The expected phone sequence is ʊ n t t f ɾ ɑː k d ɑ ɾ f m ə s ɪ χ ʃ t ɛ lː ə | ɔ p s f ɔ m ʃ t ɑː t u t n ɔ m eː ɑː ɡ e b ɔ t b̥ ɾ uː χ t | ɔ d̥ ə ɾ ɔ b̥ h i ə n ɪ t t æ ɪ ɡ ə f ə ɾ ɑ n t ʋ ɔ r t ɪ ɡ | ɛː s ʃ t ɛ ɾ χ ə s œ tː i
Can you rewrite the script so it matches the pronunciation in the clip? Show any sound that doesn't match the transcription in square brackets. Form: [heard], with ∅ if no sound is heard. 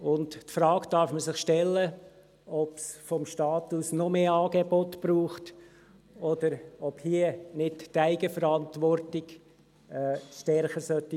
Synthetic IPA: ʊ n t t f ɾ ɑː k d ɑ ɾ f m ə s ɪ χ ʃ t ɛ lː ə | ɔ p s f ɔ m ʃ t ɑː t u [s] n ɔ m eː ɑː ɡ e b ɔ t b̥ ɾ uː χ t | ɔ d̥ ə ɾ ɔ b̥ h i ə n ɪ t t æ ɪ ɡ ə f ə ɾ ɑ n t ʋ ɔ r t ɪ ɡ | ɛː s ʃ t ɛ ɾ χ ə s œ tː i

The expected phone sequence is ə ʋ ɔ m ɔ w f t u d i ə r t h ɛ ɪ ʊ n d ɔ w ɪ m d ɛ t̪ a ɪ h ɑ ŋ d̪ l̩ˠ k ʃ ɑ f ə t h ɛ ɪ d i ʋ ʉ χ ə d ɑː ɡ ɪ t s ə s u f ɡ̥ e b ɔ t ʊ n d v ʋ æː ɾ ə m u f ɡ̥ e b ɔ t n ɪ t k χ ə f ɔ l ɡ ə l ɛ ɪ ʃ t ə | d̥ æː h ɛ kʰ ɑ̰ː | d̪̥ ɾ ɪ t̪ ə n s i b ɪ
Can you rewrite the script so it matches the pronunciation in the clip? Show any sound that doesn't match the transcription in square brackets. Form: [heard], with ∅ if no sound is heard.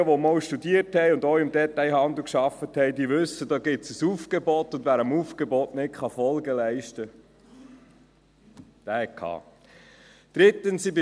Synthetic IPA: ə ʋ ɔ m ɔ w [ʃ] t u d i ə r t h ɛ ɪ ʊ n d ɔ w ɪ m d ɛ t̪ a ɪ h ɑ [n] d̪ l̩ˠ k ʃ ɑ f ə t h ɛ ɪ d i ʋ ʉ [s] ə d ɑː ɡ ɪ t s ə s u f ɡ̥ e b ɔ t ʊ n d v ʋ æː ɾ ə m u f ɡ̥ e b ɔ t n ɪ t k χ [ɑ] f ɔ l ɡ ə l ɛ ɪ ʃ t ə | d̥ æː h ɛ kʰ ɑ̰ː | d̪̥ ɾ ɪ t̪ ə n s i b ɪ

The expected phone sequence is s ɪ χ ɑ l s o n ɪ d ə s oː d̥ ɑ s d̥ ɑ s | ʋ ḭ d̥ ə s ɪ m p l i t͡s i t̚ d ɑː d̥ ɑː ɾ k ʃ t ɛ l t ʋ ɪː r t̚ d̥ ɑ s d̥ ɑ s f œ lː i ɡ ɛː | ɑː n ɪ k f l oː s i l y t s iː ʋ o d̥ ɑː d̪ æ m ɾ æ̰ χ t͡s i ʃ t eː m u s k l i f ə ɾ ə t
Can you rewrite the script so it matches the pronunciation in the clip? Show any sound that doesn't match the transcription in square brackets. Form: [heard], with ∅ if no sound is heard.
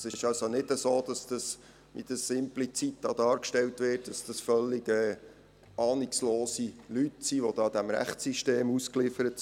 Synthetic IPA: s ɪ [ʃ] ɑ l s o n ɪ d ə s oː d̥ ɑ s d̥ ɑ s | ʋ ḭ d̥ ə s ɪ m p l i t͡s i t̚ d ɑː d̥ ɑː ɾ k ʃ t ɛ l t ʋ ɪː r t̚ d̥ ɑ s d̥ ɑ s f œ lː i ɡ ɛː | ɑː n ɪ k [s] l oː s i l y t s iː ʋ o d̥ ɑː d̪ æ m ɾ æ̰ χ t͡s i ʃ t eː m u s k l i f ə ɾ ə t

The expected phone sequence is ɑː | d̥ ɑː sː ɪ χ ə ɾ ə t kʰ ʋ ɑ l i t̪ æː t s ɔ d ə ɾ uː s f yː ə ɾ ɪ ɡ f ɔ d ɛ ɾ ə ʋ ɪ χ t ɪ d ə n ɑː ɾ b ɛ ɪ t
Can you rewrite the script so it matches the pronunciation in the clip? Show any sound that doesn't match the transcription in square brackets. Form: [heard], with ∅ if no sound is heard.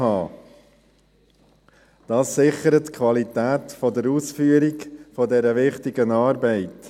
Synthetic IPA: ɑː | d̥ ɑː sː ɪ χ ə ɾ ə t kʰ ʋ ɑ l i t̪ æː t [f] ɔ d ə ɾ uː s f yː ə ɾ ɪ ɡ f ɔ d ɛ ɾ ə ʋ ɪ χ t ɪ [ɡ] ə n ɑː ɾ b ɛ ɪ t

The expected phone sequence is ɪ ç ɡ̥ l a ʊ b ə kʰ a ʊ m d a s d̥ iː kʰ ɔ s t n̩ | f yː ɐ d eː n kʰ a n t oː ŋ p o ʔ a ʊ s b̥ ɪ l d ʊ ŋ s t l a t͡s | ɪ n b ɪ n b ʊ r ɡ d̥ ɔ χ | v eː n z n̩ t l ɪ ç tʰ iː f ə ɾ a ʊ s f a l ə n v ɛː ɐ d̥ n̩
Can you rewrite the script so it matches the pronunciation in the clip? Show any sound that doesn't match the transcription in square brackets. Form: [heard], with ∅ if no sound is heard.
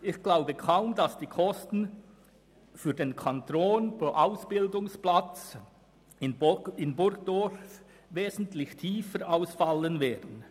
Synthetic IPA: ɪ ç ɡ̥ l a ʊ b ə kʰ a ʊ m d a s d̥ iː kʰ ɔ s t n̩ | f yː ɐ d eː n kʰ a n t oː [n] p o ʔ a ʊ s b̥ ɪ l d ʊ ŋ s [p] l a t͡s | ɪ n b ɪ n b ʊ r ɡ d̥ ɔ [f] | v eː [∅] z n̩ t l ɪ ç tʰ iː f ə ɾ a ʊ s f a l ə n v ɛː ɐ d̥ n̩

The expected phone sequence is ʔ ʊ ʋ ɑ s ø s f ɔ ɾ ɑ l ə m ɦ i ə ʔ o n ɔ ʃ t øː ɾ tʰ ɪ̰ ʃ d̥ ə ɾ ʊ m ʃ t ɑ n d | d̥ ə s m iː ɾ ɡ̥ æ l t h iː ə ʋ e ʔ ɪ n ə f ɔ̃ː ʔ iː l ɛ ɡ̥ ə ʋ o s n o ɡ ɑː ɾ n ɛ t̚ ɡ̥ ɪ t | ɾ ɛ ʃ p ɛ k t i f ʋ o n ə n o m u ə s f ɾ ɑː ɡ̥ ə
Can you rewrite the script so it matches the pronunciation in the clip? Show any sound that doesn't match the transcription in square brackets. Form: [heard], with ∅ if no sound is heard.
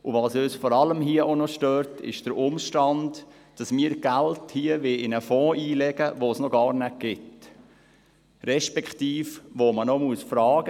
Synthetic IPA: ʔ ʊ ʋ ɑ s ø s f ɔ ɾ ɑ l ə m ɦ i ə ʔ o n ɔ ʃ t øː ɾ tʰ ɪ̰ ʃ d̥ ə ɾ ʊ m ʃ t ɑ n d | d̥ [ɑ] s m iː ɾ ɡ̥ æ l t h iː ə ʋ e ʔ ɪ n ə f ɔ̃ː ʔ iː l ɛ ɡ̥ ə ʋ o s n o ɡ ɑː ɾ n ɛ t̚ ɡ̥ ɪ t | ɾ ɛ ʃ p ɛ k t [iː] f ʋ o [m] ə n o m u ə s f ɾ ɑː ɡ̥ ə

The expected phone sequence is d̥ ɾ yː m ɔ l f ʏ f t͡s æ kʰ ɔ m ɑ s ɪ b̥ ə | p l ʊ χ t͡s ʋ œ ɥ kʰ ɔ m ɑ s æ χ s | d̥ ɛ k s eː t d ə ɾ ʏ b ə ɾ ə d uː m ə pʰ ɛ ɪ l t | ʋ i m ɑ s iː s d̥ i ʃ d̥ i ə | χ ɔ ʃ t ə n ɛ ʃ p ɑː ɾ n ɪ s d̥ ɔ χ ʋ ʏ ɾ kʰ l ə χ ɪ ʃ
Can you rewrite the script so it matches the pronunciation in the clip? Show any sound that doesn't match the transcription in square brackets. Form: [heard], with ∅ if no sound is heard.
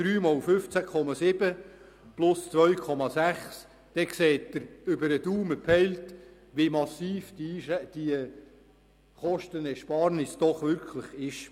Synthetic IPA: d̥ ɾ yː m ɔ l f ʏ f t͡s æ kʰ ɔ m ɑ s ɪ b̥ ə | p l ʊ [s] t͡s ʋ œ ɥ kʰ ɔ m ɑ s æ χ s | d̥ ɛ k s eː t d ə ɾ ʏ b ə ɾ ə d uː m ə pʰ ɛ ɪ l t | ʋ i m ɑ s iː [f] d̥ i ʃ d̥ i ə | χ ɔ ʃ t ə n ɛ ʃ p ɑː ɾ n ɪ s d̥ ɔ χ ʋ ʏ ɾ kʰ l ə χ ɪ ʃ

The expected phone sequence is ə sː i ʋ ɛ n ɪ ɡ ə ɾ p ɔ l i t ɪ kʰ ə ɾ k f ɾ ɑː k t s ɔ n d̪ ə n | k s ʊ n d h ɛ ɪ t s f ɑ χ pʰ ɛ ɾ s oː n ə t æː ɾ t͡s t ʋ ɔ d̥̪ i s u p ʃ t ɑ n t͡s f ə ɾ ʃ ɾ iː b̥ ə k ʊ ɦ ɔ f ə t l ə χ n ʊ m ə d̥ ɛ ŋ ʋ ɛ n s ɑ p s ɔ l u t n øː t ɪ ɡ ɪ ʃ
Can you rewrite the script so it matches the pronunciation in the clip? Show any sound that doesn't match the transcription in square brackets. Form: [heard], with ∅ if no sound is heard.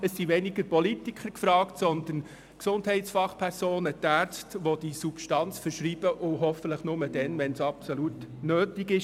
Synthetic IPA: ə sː i ʋ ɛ n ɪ ɡ ə ɾ p ɔ l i t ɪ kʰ ə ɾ k f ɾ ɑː k t s ɔ n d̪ ə n | k s ʊ n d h ɛ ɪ t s f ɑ χ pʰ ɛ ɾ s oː n ə t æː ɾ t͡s t ʋ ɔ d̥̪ i s u p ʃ t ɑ n t͡s f ə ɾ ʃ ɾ iː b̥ ə [ʔ] ʊ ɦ ɔ f ə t l ə χ n ʊ m ə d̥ ɛ [n] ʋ ɛ n s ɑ p s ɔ l u t n øː t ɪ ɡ ɪ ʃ

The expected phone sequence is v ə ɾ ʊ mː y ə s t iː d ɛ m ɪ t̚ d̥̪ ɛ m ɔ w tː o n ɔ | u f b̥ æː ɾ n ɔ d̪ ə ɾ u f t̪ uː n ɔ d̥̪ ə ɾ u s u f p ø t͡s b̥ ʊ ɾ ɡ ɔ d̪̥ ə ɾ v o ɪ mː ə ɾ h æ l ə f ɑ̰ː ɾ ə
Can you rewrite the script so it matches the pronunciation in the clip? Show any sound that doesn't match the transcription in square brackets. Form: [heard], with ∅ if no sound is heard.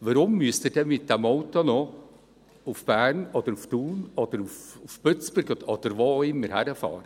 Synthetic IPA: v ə ɾ ʊ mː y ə s t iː d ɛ m ɪ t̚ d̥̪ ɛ m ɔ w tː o n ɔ | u f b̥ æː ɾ n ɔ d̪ ə ɾ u f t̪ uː n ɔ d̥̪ ə ɾ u [f] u f p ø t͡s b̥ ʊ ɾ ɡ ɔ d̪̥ ə ɾ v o ɪ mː ə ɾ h æ [ɾ] ə f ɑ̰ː ɾ ə

